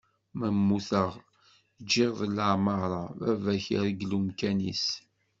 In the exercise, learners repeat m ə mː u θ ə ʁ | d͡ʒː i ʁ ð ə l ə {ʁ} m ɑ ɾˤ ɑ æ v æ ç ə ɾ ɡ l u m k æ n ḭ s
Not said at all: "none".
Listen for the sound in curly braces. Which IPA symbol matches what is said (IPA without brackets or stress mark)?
ʕ